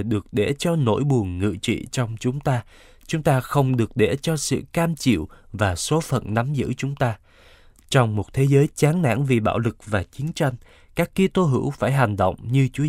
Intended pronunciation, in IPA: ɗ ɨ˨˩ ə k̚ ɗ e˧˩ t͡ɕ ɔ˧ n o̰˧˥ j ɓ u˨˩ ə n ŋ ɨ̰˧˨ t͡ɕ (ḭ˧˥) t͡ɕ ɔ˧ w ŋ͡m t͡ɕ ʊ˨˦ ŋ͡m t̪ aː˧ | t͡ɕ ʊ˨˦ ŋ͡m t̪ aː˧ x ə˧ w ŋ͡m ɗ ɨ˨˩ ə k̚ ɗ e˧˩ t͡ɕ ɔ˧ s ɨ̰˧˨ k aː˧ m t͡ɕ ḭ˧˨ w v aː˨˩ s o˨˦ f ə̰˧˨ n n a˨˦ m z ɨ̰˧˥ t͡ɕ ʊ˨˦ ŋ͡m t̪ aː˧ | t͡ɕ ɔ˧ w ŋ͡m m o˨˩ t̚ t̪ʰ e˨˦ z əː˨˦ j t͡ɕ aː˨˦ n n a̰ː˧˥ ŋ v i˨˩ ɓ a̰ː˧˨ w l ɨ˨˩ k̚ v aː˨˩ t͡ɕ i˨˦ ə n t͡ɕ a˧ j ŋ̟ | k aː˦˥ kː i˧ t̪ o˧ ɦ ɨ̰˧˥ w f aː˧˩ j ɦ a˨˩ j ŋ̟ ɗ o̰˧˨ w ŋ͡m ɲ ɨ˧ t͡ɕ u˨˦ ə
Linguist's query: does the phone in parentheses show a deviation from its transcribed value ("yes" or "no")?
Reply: yes